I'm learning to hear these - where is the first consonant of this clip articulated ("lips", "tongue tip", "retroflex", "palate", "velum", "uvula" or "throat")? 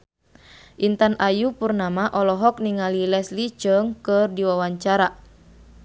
throat